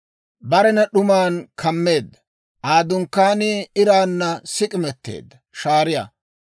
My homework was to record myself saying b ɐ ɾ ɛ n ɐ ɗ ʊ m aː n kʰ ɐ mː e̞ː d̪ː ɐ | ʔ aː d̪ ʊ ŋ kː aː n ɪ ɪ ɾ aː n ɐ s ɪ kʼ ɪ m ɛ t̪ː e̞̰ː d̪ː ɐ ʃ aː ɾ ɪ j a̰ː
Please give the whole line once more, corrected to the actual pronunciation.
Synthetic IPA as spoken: b ɐ ɾ ɛ n ɐ ɗ ʊ m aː n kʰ ɐ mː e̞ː d̪ː ɐ | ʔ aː d̪ ʊ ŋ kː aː n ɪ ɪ ɾ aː nː ɐ s ɪ kʼ ɪ m ɛ t̪ː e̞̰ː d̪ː ɐ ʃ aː ɾ ɪ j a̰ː